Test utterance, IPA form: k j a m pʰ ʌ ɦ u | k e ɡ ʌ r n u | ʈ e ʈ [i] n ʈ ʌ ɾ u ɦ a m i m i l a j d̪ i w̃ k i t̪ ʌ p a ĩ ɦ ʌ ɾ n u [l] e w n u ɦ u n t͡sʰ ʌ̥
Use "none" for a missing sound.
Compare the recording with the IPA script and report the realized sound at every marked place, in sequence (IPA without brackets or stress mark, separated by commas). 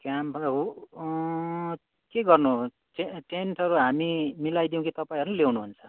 e, l